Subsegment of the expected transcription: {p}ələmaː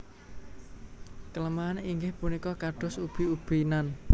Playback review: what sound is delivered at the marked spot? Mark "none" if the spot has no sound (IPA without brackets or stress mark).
k